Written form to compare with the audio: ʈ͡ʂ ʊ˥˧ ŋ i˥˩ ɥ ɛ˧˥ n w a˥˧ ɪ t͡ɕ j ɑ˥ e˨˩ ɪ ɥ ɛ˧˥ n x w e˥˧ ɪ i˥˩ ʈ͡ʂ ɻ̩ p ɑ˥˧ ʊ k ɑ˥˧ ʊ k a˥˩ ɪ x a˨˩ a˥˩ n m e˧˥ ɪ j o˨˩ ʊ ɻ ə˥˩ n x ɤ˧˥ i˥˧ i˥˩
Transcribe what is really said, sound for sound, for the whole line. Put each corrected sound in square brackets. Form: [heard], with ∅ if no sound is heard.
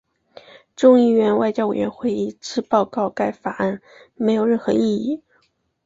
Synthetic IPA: ʈ͡ʂ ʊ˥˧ ŋ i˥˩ ɥ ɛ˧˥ n w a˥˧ ɪ t͡ɕ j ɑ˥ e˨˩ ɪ ɥ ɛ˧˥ n x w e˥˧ ɪ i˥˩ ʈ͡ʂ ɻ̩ p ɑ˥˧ ʊ k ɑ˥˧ ʊ k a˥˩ ɪ [f] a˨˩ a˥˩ n m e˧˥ ɪ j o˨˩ ʊ ɻ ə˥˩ n x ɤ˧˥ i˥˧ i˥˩

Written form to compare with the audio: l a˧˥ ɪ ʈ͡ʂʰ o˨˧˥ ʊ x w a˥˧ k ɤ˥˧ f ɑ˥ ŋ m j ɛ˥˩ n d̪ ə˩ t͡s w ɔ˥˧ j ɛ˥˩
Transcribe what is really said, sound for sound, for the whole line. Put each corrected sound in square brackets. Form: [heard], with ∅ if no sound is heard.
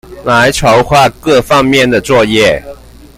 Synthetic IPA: l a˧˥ ɪ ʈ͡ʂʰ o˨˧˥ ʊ x w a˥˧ k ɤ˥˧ f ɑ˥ ŋ m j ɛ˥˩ n d̪ ə˩ t͡s w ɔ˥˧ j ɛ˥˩

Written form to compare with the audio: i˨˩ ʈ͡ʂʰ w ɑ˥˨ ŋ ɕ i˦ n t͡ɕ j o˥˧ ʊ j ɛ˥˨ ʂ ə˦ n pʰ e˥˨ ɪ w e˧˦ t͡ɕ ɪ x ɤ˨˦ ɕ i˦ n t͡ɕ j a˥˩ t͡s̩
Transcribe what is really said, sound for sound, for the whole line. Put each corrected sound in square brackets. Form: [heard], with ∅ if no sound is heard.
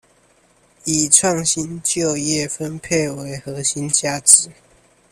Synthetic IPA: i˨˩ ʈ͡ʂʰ w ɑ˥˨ ŋ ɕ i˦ n t͡ɕ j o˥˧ ʊ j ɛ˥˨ [f] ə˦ n pʰ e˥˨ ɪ w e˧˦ [∅] ɪ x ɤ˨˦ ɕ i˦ n t͡ɕ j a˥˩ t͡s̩

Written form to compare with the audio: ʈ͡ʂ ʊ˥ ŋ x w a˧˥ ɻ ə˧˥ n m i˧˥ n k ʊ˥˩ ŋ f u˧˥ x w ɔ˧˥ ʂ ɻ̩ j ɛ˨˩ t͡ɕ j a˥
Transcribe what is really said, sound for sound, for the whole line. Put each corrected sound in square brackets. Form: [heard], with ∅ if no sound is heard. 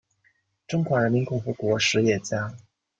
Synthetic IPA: ʈ͡ʂ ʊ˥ ŋ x w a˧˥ ɻ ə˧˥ n m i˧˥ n k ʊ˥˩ ŋ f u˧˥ [k] w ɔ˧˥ ʂ ɻ̩ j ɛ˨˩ t͡ɕ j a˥

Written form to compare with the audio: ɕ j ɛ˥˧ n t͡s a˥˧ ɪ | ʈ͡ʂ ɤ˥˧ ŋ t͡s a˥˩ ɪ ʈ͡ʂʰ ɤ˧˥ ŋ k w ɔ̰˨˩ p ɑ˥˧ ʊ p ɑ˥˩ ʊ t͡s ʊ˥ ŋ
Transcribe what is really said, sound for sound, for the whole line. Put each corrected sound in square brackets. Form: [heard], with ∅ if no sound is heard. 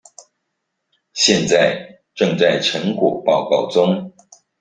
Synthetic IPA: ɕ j ɛ˥˧ n t͡s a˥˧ ɪ | ʈ͡ʂ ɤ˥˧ ŋ t͡s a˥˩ ɪ ʈ͡ʂʰ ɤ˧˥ ŋ k w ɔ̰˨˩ p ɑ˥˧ ʊ [k] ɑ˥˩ ʊ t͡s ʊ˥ ŋ

